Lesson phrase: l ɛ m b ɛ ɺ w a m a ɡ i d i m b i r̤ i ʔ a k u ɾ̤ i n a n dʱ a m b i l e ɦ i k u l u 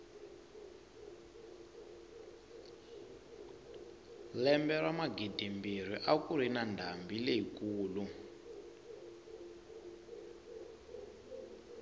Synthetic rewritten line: l ɛ m b ɛ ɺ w a m a ɡ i d i m b i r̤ i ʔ a k u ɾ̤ i n a n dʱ a m b i l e ɦ i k uː l u